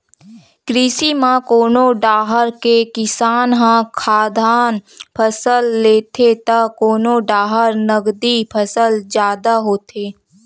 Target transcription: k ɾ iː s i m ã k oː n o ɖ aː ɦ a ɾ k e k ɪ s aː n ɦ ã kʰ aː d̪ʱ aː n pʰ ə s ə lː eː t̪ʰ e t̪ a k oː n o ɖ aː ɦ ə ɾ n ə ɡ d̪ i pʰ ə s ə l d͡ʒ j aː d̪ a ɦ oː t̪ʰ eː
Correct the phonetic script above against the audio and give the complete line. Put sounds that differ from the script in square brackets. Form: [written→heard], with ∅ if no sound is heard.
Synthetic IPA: k ɾ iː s i m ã k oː n o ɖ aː ɦ [a→ə] ɾ k e k ɪ s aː n ɦ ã kʰ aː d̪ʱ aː n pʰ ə s ə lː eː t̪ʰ e t̪ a k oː n o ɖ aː ɦ ə ɾ n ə ɡ d̪ i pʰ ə s ə l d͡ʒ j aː d̪ a ɦ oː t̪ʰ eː